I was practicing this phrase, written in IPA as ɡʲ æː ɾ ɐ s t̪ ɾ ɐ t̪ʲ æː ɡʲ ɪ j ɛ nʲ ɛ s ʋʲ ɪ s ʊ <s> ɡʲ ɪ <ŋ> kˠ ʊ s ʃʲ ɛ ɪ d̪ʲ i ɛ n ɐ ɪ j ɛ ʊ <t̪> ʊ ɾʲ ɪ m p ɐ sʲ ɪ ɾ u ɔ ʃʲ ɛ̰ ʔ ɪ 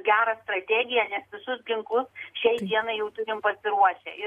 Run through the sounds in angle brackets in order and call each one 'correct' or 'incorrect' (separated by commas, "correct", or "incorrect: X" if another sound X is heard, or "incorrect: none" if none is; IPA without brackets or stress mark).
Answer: correct, correct, correct